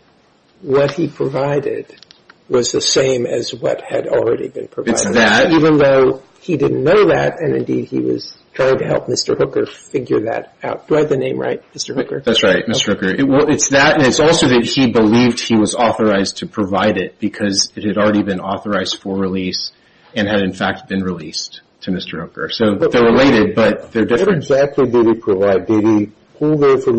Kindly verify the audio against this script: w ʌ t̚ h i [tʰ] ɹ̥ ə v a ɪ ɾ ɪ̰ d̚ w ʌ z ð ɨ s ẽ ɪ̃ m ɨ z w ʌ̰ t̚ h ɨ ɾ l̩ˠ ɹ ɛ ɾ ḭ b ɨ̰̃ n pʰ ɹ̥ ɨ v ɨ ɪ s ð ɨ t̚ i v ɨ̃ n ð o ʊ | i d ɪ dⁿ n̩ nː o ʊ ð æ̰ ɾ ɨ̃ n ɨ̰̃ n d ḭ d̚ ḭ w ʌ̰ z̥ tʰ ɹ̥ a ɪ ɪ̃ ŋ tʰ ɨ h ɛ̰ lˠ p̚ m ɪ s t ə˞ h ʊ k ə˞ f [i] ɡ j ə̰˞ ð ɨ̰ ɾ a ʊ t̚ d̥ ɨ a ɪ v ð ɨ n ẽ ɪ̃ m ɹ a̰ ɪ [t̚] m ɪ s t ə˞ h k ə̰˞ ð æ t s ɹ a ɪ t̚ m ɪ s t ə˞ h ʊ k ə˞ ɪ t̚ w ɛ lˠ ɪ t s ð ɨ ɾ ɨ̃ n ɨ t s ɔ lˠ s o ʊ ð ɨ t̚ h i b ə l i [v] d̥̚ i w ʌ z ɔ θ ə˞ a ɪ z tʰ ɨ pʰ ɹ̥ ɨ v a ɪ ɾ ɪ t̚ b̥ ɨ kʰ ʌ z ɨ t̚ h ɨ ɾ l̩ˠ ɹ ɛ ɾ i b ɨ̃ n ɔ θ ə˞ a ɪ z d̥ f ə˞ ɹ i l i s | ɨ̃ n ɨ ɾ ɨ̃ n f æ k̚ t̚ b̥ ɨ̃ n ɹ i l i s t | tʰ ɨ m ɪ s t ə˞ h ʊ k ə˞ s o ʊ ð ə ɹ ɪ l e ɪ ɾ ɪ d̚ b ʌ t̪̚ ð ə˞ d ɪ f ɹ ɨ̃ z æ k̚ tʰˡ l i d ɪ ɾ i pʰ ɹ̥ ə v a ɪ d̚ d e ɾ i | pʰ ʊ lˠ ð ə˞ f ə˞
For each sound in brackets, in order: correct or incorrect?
incorrect, incorrect, correct, correct

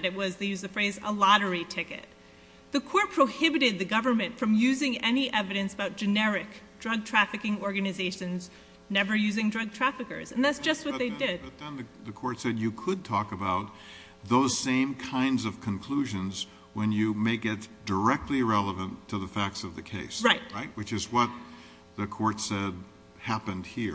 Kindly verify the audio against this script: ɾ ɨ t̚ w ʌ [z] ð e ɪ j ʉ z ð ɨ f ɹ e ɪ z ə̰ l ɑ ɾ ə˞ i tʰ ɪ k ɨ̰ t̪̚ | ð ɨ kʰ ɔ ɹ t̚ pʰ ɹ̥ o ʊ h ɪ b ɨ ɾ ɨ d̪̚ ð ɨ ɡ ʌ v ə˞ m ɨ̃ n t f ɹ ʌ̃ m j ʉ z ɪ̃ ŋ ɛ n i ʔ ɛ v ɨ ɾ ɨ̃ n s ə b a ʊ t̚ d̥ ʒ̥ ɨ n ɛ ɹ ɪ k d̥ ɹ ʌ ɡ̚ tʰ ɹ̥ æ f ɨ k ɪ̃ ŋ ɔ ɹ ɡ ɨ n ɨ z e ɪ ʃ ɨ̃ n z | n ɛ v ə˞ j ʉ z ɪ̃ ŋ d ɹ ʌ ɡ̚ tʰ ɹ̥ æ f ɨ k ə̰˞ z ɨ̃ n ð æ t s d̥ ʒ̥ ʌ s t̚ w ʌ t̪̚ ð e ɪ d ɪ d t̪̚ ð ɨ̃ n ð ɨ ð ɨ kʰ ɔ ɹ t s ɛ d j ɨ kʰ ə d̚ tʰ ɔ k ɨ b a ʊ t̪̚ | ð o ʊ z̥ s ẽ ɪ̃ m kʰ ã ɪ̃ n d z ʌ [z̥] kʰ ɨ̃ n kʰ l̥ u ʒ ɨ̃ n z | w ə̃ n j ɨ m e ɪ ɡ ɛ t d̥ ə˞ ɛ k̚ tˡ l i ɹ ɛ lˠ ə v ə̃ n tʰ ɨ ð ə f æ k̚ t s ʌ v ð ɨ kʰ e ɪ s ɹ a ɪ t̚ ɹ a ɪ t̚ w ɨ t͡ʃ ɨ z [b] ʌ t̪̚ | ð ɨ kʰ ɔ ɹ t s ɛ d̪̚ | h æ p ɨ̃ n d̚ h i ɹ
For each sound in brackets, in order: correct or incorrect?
correct, incorrect, incorrect

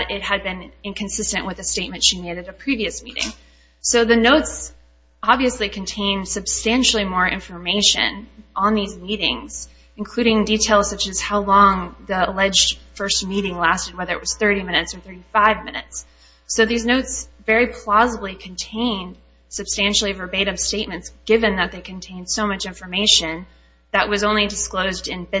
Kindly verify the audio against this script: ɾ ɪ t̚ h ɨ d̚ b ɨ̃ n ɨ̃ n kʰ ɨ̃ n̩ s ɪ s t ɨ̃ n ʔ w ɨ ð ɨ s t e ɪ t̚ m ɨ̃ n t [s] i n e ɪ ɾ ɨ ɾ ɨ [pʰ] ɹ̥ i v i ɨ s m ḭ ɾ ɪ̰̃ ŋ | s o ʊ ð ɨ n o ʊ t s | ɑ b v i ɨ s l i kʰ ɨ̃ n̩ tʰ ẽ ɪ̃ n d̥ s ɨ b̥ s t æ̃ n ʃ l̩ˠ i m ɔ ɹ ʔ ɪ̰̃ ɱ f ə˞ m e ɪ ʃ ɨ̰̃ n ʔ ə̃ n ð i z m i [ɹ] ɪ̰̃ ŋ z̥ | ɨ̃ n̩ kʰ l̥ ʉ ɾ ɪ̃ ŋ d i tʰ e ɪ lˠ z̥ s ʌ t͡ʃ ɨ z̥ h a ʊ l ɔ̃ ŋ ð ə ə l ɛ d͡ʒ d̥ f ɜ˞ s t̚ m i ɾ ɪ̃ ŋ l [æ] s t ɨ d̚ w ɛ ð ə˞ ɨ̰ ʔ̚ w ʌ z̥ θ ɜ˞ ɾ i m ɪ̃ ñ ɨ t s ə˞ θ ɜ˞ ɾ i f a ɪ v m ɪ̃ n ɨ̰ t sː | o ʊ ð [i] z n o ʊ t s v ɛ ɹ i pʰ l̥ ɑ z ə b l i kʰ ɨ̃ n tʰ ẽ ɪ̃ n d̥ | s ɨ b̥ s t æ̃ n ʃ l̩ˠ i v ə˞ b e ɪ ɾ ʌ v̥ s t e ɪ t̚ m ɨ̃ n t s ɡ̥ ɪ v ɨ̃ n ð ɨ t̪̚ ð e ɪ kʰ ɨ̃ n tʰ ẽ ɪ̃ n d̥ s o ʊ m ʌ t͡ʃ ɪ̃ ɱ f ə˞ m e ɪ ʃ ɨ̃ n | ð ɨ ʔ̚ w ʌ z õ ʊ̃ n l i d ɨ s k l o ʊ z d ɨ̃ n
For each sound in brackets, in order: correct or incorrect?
incorrect, correct, incorrect, correct, correct

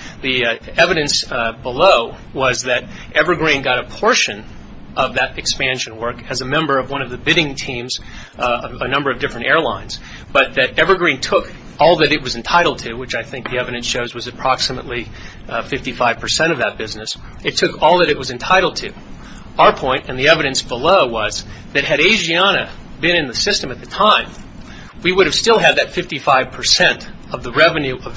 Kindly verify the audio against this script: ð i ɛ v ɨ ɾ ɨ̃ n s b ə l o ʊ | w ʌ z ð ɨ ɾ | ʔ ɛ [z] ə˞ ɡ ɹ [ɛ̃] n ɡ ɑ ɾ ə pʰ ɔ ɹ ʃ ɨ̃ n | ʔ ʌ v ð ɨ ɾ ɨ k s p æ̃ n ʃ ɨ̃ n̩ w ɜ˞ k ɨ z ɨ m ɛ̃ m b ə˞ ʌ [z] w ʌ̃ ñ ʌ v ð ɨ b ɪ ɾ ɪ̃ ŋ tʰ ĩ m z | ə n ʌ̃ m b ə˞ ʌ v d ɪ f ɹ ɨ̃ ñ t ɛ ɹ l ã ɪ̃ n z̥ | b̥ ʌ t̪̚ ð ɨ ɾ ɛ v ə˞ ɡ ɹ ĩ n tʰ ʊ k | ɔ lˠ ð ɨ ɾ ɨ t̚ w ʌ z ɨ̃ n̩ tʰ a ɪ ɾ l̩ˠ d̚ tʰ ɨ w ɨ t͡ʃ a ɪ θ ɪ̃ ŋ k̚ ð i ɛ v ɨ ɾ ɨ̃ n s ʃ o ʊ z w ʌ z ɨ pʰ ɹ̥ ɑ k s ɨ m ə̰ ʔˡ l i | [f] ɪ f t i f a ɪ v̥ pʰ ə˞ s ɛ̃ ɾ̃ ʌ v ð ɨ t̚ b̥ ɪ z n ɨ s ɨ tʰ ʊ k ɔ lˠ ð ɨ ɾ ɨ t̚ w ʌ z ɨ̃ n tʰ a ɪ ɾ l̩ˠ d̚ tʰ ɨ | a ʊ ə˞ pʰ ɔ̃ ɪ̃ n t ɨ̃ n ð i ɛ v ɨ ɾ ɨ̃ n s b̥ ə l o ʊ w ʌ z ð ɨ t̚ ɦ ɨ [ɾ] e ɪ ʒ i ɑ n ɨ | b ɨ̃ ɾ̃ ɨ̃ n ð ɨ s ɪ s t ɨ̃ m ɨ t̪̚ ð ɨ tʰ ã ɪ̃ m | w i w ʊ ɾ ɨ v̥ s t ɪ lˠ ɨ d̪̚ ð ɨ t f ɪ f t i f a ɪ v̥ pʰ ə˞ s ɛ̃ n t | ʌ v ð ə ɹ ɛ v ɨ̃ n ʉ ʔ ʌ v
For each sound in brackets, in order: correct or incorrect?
incorrect, incorrect, incorrect, correct, correct

